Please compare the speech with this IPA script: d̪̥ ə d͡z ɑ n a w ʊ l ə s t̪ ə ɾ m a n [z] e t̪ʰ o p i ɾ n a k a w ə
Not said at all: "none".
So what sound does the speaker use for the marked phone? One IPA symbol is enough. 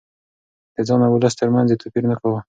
z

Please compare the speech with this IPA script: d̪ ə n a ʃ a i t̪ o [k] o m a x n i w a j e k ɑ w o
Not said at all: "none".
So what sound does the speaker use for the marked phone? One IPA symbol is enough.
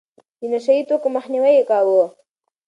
k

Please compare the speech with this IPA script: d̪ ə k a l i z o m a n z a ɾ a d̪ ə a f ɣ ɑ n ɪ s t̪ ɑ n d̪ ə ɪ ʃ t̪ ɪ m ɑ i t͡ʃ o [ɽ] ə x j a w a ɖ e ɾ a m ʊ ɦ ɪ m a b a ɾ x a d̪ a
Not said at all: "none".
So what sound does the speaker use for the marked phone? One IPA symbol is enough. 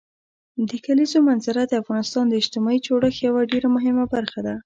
ɽ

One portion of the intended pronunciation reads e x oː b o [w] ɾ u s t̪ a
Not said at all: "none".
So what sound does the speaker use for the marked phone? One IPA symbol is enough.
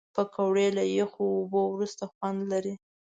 w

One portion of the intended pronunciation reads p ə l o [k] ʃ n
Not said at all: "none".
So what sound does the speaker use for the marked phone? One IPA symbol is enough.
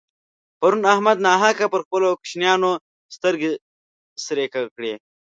k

